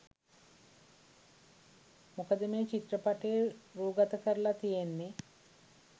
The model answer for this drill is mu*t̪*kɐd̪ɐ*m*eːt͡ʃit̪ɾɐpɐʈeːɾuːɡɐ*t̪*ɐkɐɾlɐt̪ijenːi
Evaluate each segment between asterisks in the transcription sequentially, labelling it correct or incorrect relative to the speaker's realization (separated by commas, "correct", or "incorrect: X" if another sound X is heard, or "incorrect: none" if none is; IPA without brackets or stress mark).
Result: incorrect: none, correct, correct